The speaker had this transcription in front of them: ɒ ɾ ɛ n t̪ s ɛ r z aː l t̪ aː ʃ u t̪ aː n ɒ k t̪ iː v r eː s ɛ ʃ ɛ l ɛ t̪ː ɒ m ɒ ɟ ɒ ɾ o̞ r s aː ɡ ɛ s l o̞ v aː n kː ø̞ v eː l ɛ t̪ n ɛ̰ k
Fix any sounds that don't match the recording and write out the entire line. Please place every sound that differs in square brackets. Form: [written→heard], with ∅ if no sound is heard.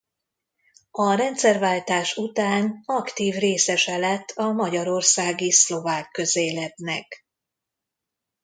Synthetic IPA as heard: ɒ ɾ ɛ n t̪ s ɛ r [z→v] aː l t̪ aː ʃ u t̪ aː n ɒ k t̪ iː v r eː s ɛ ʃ ɛ l ɛ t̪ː ɒ m ɒ ɟ ɒ ɾ o̞ r s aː ɡ [ɛ→i] s l o̞ v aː [n→∅] kː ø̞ [v→z] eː l ɛ t̪ n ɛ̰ k